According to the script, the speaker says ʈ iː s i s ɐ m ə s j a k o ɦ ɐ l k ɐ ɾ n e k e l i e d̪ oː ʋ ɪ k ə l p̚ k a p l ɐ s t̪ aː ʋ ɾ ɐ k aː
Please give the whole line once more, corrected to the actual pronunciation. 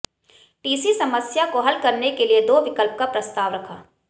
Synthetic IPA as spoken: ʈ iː s i s ɐ m ə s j a k o ɦ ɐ l k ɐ ɾ n e k e l i e d̪ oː ʋ ɪ k ə l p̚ k a p ɾ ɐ s t̪ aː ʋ ɾ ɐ kʰ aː

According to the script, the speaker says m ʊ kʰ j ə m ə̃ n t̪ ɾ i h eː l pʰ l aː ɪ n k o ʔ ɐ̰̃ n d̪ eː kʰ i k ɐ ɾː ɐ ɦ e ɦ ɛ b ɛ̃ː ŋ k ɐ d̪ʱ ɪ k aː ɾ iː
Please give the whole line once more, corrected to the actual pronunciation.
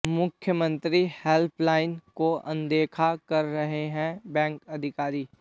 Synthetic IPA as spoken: m ʊ kʰ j ə m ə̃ n t̪ ɾ i h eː l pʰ l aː ɪ n k o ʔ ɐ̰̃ n d̪ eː kʰ a k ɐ ɾː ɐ ɦ e ɦ ɛ̃ b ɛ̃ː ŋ k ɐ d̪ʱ ɪ k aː ɾ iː

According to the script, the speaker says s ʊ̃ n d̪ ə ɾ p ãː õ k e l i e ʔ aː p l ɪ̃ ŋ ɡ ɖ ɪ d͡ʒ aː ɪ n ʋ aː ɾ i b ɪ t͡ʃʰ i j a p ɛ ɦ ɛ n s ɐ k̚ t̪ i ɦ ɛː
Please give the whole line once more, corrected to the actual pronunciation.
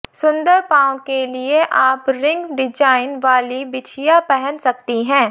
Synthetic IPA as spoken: s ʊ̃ n d̪ ə ɾ p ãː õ k e l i e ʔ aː p ɾ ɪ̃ ŋ ɡ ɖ ɪ d͡ʒ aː ɪ n ʋ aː l i b ɪ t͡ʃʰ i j a p ɛ ɦ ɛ n s ɐ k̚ t̪ i ɦ ɛ̃ː

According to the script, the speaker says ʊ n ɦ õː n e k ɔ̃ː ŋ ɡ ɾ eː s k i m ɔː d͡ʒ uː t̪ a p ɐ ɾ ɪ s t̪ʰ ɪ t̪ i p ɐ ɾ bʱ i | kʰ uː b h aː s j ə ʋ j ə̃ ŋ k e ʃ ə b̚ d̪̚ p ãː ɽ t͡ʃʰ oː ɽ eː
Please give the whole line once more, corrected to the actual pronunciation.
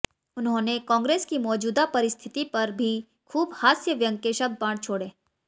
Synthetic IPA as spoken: ʊ n ɦ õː n e k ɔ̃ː ŋ ɡ ɾ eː s k i m ɔː d͡ʒ uː d̪ a p ɐ ɾ ɪ s t̪ʰ ɪ t̪ i p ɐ ɾ bʱ i | kʰ uː b h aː s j ə ʋ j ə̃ ŋ k e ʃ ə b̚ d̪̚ p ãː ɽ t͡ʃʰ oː ɽ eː

